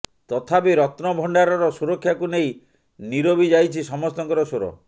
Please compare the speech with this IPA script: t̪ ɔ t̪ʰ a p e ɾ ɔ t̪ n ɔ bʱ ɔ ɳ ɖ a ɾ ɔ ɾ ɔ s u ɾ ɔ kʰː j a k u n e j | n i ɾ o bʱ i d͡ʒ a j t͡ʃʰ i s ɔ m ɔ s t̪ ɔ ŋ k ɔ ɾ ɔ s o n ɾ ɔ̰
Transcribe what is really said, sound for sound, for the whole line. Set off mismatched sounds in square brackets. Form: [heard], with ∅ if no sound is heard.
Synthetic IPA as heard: t̪ ɔ t̪ʰ a p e ɾ ɔ t̪ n ɔ bʱ ɔ ɳ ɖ a ɾ ɔ ɾ ɔ s u ɾ ɔ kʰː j a k u n e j | n i ɾ o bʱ i d͡ʒ a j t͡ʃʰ i s ɔ m ɔ s t̪ ɔ ŋ k ɔ ɾ ɔ s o [∅] ɾ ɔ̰